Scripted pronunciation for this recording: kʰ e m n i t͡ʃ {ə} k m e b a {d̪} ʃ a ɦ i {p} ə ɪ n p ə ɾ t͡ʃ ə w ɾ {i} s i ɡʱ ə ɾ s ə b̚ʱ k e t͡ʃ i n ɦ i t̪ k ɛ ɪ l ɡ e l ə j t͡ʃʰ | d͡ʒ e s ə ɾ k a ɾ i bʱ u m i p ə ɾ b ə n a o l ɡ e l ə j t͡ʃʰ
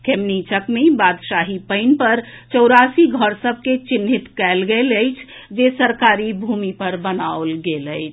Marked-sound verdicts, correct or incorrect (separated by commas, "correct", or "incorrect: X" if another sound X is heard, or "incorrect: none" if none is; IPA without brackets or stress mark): correct, correct, correct, incorrect: a